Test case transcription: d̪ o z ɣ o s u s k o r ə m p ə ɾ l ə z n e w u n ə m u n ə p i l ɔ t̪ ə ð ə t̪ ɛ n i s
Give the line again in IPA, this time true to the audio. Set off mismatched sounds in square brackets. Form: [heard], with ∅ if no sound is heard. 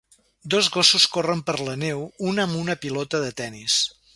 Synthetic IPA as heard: d̪ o z ɣ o s u s k o r ə m p ə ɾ l ə [∅] n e w u n ə m u n ə p i l ɔ t̪ ə ð ə t̪ ɛ n i s